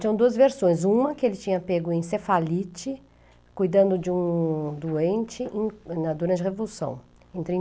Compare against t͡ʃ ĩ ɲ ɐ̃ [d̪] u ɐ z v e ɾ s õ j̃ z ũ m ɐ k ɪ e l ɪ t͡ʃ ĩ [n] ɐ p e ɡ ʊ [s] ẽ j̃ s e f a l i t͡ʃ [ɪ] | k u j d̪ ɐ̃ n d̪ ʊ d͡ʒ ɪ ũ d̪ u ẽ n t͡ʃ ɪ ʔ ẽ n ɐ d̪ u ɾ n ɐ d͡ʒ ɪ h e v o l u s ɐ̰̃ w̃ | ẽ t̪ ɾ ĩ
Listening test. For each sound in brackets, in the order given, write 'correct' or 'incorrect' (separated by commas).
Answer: correct, incorrect, incorrect, correct